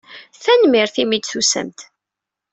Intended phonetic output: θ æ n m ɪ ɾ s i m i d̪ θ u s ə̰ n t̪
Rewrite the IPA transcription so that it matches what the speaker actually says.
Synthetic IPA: θ æ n m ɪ ɾ θ i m i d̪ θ u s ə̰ m t̪